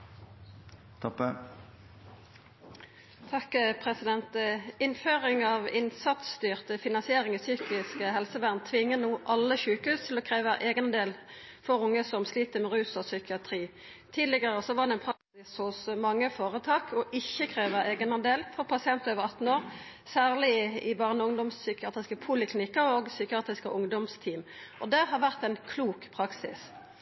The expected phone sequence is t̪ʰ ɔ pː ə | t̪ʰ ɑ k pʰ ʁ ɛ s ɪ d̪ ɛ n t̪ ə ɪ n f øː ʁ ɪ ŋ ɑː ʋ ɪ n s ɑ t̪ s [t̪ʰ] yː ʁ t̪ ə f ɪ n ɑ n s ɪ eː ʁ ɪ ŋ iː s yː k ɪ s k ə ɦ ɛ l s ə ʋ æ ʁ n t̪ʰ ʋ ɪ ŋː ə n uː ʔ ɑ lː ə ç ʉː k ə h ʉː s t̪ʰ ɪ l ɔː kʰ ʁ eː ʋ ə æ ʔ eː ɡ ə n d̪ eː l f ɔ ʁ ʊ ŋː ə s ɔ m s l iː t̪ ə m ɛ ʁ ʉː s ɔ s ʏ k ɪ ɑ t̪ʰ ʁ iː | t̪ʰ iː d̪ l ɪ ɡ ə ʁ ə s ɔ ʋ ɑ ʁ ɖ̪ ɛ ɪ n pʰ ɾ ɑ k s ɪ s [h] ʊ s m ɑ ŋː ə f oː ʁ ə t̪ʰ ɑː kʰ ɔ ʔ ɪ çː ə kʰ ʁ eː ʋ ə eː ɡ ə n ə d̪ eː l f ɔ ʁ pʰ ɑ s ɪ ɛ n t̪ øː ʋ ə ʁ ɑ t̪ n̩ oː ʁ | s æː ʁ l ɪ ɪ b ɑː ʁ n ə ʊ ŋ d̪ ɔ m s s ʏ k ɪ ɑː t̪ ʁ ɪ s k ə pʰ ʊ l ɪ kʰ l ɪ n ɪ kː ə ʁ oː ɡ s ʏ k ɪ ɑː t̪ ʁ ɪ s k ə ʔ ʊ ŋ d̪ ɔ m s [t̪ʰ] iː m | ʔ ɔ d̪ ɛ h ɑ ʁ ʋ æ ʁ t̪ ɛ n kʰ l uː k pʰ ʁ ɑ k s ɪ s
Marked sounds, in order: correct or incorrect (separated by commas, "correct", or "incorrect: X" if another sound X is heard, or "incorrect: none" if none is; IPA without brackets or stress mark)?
incorrect: t̪, correct, correct